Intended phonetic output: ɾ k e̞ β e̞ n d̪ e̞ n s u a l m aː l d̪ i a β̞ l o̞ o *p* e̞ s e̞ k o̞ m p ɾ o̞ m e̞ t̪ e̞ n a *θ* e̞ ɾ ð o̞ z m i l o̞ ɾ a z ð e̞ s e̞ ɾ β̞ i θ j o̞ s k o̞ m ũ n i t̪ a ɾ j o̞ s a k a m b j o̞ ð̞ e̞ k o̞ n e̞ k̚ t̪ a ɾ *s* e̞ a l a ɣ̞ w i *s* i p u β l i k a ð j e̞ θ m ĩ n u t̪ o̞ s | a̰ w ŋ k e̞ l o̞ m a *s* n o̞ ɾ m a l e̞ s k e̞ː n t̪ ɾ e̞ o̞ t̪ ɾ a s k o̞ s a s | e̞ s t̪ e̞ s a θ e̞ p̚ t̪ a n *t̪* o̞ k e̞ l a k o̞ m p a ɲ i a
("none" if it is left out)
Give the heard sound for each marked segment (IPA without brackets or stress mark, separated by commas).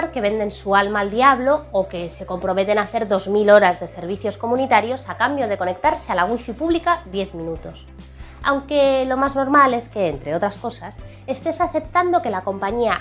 k, θ, s, f, z, d̪